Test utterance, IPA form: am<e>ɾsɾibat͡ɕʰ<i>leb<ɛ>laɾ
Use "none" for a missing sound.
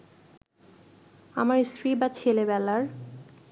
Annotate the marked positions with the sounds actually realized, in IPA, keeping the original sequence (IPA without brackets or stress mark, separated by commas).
a, e, ɛ